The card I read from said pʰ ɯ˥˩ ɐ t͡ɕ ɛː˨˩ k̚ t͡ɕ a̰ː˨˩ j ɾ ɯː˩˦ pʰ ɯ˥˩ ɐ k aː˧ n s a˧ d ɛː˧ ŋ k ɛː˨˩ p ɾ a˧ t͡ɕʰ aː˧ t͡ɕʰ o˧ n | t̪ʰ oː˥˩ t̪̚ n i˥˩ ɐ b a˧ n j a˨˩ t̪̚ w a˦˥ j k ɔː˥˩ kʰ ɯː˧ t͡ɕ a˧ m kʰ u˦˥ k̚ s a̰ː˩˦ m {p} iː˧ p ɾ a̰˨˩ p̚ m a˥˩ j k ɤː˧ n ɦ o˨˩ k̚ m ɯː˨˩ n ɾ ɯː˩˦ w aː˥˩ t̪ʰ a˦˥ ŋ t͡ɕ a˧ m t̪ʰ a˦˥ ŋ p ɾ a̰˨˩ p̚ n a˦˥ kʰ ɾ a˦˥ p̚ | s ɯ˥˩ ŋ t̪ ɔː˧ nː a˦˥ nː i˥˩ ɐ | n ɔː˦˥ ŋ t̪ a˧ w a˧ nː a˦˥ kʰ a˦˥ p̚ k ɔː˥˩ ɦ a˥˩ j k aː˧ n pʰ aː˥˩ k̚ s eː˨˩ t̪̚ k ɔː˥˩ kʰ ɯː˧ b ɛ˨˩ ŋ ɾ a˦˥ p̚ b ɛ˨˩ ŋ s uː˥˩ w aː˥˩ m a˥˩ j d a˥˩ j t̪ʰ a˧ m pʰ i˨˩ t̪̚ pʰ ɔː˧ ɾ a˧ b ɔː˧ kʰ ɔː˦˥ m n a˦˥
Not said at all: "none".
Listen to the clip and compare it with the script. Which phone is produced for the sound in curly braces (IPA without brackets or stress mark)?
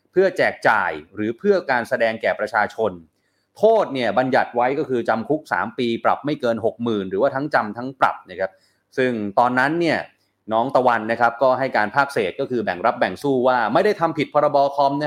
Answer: p